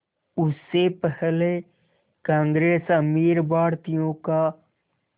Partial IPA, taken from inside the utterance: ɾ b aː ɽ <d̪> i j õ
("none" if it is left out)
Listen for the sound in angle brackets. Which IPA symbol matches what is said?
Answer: t̪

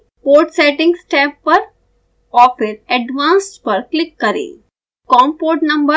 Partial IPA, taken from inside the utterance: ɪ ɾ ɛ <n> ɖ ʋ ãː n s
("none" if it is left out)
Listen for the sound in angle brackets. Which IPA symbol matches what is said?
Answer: none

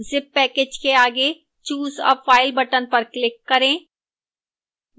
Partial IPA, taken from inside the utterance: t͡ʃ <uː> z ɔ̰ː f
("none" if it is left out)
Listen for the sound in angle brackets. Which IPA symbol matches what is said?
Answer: uː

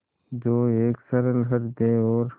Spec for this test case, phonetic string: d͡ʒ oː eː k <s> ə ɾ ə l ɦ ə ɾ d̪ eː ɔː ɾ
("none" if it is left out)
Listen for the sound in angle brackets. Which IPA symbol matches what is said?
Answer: s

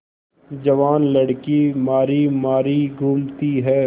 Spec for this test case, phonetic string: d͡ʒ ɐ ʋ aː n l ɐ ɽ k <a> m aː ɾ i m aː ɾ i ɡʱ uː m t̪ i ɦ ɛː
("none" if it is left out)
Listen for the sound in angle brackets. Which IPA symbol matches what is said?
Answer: i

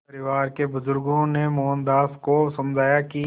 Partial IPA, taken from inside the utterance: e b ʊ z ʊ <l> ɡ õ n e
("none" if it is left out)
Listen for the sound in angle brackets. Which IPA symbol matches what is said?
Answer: ɾ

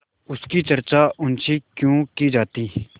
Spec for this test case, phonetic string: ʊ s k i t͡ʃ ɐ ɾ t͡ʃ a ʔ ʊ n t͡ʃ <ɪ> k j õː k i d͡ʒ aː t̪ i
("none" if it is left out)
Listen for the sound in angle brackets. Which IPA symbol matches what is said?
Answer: i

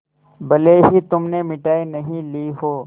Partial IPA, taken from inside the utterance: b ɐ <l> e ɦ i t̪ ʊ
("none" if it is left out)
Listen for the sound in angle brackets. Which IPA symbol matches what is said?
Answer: l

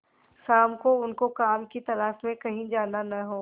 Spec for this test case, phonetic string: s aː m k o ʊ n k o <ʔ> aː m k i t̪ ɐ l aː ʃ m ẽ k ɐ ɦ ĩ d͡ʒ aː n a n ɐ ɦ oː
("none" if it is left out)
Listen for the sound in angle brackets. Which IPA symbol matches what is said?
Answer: k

